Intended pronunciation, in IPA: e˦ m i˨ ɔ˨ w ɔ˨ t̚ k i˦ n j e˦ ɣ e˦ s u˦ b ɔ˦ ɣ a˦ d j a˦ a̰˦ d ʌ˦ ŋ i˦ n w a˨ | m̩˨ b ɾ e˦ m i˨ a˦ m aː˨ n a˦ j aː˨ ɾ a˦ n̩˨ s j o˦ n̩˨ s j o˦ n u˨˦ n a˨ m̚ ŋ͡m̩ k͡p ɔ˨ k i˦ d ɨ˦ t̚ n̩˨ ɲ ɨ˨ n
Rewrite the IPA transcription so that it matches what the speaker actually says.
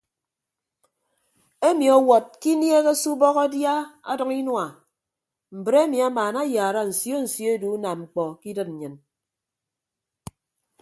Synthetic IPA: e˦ m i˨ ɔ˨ w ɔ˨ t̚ k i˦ n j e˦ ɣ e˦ s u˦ b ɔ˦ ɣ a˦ d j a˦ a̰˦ d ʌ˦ ŋ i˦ n w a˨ | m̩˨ b ɾ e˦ m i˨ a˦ m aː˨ n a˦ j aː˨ ɾ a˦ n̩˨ s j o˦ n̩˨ s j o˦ d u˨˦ n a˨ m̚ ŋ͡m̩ k͡p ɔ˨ k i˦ d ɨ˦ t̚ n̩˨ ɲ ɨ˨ n